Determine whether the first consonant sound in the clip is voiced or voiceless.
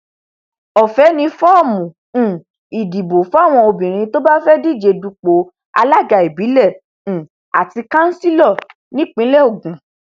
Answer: voiceless